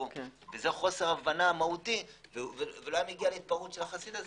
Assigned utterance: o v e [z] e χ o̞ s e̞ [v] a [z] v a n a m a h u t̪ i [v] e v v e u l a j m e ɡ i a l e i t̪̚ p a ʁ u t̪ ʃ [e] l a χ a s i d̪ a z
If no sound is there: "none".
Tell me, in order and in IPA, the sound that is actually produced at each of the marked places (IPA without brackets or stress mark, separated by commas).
z, ʁ, none, v, e